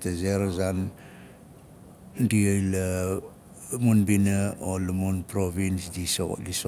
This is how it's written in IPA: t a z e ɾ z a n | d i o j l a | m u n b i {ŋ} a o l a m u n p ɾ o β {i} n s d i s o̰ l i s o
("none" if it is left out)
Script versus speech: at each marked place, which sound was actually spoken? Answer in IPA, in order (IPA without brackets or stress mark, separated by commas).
n, i